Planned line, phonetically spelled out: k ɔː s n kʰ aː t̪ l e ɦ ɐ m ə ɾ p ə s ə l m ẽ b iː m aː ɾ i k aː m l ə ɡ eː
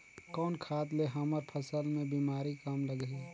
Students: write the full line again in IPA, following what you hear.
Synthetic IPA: k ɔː n kʰ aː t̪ l e ɦ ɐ m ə ɾ pʰ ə s ə l m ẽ b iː m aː ɾ i k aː m l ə ɡ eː

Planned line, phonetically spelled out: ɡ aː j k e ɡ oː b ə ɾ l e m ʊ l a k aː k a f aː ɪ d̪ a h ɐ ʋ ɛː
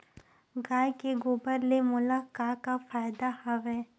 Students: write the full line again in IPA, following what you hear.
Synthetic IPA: ɡ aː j k e ɡ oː b ə ɾ l e m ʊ l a k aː k a f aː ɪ d̪ a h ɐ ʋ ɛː

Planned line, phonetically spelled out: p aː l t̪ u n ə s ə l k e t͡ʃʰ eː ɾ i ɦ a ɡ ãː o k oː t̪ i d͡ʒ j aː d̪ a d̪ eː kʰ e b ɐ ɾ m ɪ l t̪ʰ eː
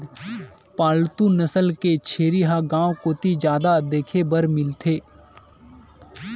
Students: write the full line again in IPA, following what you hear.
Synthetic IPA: p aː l t̪ u n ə s ə l k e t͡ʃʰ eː ɾ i ɦ a ɡ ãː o k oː t̪ i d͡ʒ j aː d̪ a d̪ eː kʰ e b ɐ ɾ m ɪ l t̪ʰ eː

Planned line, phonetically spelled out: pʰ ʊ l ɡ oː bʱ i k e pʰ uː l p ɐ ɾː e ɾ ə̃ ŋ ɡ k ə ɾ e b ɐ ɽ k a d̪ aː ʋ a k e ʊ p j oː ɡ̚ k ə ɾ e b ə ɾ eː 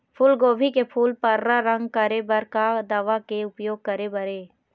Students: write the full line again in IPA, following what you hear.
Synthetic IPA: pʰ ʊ l ɡ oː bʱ i k e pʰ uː l p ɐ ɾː a ɾ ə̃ ŋ ɡ k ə ɾ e b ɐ ɾ k a d̪ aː ʋ a k e ʊ p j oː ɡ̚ k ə ɾ e b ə ɾ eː

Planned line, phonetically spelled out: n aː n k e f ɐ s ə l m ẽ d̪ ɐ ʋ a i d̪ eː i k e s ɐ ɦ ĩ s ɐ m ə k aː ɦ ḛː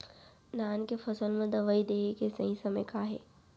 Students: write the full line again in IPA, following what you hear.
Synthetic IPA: n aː n k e f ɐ s ə l m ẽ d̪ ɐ ʋ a i d̪ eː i k e s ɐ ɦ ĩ s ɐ m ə k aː ɦ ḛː

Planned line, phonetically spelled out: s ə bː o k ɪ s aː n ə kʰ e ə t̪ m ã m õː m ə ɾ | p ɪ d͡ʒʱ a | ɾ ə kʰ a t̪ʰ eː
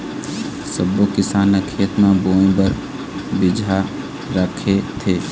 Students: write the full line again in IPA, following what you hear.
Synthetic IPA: s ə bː o k ɪ s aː n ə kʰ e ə t̪ m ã b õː b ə ɾ | b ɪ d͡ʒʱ a | ɾ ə kʰ e t̪ʰ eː

